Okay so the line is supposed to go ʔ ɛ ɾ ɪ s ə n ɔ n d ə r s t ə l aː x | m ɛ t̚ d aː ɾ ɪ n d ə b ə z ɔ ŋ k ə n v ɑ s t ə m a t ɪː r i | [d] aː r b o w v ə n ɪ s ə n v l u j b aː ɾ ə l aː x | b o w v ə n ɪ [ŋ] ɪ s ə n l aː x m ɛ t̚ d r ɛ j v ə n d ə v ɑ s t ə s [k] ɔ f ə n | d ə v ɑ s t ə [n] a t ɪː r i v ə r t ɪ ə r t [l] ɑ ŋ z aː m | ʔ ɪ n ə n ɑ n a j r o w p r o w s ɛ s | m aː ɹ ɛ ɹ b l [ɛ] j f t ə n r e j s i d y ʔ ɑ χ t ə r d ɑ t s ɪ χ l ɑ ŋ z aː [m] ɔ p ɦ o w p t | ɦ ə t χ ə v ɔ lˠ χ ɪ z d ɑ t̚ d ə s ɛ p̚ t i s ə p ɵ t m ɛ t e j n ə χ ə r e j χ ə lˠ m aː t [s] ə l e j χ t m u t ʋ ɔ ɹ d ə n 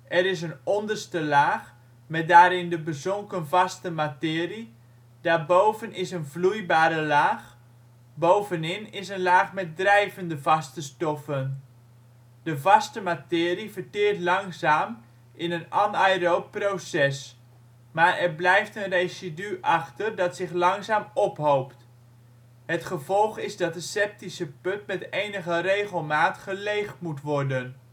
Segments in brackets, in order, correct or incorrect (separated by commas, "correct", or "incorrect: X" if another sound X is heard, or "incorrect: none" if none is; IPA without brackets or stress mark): correct, incorrect: n, incorrect: t, incorrect: m, correct, correct, correct, incorrect: χ